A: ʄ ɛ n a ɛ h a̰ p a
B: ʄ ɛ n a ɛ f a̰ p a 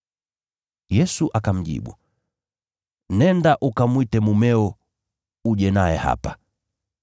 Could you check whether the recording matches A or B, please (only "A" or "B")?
A